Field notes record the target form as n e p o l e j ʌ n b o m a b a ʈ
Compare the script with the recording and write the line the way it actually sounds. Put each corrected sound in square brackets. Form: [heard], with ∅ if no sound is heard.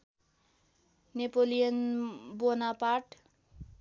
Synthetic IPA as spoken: n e p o l [i] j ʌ n b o [n] a [p] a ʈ

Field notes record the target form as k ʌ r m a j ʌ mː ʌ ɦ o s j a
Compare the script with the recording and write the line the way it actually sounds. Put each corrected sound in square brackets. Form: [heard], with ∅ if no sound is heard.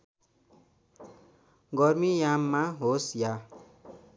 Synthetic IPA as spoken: [ɡ] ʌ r m [i] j [a] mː [a] ɦ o s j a

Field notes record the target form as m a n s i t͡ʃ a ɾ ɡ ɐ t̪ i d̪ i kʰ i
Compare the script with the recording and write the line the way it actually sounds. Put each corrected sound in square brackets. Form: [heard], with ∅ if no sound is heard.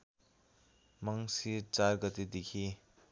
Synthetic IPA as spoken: m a [ŋ] s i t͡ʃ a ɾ ɡ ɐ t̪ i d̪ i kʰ i

